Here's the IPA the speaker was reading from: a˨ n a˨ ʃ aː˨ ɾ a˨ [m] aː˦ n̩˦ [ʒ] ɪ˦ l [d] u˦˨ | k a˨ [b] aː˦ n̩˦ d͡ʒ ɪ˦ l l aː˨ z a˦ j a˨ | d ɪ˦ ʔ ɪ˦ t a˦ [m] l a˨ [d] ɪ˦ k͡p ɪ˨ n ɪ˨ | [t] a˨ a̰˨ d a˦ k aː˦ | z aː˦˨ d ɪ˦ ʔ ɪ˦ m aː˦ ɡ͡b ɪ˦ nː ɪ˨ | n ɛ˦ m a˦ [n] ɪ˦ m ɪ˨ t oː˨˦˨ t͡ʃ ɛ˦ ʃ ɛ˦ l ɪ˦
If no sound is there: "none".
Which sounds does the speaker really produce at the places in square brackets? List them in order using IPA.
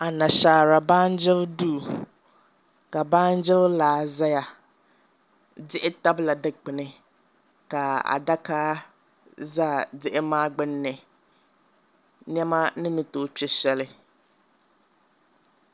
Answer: b, d͡ʒ, d, b, b, d, k, n

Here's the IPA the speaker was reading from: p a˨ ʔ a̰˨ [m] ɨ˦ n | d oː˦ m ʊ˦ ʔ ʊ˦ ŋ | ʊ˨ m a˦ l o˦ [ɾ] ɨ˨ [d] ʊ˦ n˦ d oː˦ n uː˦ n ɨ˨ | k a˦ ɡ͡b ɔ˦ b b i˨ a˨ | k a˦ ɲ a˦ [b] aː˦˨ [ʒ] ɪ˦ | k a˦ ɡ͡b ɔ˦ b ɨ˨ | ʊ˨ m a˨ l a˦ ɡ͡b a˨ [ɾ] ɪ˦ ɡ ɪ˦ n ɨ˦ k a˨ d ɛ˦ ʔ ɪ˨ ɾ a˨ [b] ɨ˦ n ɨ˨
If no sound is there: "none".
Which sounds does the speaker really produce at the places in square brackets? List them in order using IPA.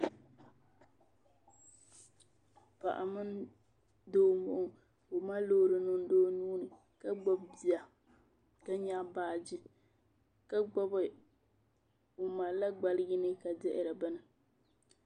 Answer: m, ɾ, n, b, d͡ʒ, l, b

